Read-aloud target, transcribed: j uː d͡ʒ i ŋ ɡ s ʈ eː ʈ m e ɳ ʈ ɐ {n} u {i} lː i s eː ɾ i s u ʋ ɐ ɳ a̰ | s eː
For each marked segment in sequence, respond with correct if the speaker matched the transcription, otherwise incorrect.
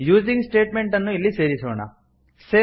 incorrect, correct

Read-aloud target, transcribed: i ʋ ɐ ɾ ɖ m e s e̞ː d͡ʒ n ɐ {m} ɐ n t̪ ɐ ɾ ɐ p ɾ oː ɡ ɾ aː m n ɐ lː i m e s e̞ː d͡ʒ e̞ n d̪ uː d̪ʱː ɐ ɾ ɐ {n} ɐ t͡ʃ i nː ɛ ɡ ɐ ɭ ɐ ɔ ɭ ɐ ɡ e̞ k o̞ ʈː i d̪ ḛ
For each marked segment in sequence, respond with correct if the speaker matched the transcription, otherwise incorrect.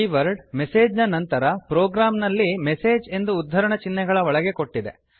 incorrect, incorrect

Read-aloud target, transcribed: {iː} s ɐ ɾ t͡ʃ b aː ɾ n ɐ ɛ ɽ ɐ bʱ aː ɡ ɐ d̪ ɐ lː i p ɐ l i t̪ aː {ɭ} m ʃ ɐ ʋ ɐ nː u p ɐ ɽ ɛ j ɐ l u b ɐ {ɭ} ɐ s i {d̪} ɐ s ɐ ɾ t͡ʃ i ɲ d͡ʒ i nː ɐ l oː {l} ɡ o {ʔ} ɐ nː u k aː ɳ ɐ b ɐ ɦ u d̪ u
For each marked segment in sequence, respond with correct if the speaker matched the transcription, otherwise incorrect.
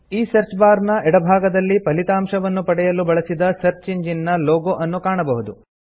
correct, incorrect, correct, correct, incorrect, correct

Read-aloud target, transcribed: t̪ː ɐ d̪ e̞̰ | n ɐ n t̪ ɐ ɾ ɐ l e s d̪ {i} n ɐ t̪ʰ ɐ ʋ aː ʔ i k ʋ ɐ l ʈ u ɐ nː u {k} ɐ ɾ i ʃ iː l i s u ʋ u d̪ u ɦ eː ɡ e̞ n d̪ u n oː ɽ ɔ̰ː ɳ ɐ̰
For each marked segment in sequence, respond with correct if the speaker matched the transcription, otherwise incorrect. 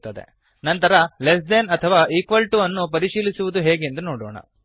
incorrect, incorrect

